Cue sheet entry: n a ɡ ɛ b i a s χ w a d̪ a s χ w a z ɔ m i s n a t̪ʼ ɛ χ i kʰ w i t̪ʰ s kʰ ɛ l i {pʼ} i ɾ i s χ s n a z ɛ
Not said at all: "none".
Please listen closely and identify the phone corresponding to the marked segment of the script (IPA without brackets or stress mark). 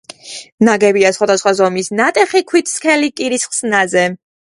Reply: kʼ